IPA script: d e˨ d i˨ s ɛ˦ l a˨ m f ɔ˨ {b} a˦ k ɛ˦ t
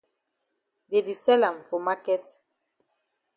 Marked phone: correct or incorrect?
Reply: incorrect: m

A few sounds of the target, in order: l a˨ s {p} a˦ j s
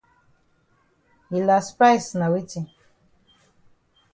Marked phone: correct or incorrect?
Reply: correct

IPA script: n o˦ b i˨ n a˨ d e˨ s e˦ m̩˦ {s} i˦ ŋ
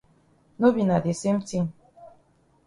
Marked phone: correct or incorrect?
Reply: incorrect: t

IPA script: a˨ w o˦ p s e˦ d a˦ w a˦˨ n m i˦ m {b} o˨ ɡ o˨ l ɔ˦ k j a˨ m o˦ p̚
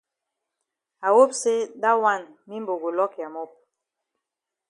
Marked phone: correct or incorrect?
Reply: correct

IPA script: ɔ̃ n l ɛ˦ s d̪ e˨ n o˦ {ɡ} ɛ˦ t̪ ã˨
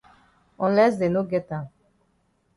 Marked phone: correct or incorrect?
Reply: correct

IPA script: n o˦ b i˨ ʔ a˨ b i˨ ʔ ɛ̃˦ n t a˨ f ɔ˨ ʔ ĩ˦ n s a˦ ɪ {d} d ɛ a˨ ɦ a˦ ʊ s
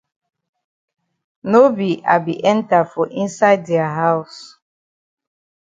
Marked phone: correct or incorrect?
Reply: correct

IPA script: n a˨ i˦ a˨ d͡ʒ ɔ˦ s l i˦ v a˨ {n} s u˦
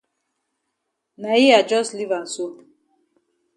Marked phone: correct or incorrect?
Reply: correct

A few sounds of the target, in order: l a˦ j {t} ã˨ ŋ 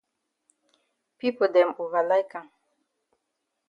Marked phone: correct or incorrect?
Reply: incorrect: k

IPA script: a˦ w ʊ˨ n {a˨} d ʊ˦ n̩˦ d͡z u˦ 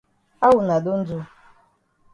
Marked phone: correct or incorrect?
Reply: correct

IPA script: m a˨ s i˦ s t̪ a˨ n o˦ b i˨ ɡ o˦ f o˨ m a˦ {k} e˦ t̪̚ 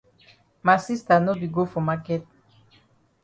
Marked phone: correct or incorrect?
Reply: correct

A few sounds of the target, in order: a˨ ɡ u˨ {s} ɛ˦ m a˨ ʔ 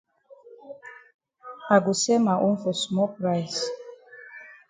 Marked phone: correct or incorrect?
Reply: correct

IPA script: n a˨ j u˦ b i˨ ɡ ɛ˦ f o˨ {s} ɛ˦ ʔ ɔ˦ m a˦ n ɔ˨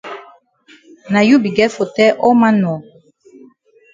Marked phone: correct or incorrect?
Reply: incorrect: t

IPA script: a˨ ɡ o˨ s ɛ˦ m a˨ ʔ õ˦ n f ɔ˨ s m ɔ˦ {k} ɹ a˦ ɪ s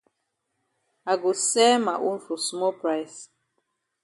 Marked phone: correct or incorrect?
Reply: incorrect: p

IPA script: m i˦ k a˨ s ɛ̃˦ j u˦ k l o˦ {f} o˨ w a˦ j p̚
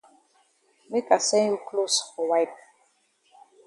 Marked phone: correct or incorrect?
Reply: incorrect: s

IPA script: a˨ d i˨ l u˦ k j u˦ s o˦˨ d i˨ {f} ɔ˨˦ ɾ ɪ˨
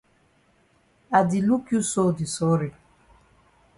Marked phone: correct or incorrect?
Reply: incorrect: s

